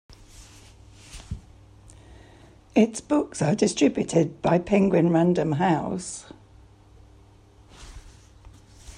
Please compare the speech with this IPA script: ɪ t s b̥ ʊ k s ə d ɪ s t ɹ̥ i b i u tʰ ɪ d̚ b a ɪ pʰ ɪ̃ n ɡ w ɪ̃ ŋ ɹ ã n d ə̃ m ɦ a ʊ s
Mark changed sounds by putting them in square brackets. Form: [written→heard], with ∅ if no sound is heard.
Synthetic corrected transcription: ɪ t s b̥ ʊ k s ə d ɪ s t ɹ̥ [i→ɪ] b [i→j] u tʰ ɪ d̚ b a ɪ pʰ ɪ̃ [n→ŋ] ɡ w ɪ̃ [ŋ→n] ɹ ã n d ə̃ m ɦ a ʊ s